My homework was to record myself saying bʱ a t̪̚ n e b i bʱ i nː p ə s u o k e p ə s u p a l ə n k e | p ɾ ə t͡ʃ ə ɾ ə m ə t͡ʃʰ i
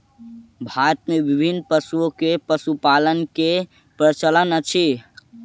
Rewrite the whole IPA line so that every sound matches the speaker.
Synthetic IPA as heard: bʱ a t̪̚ m e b i bʱ i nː p ə s u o k e p ə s u p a l ə n k e | p ɾ ə t͡ʃ ə l ə n ə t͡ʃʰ i